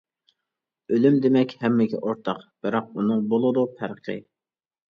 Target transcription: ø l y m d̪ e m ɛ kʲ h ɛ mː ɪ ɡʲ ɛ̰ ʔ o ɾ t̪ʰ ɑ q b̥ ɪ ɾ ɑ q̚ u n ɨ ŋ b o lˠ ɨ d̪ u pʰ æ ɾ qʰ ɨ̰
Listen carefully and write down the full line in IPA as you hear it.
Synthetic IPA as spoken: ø l y m d̪ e m ɛ kʲ h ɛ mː ɪ ɡʲ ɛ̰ ʔ o ɾ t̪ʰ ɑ q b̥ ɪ ɾ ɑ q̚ u n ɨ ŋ b o lˠ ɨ d̪ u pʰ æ ɾ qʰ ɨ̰